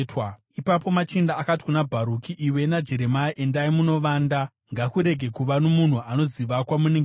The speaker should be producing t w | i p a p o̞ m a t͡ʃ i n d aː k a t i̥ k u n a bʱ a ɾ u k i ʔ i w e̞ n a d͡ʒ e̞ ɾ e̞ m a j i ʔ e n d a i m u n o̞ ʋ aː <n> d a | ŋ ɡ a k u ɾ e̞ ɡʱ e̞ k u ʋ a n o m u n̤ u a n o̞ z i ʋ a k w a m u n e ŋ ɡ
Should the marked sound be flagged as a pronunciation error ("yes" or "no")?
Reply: no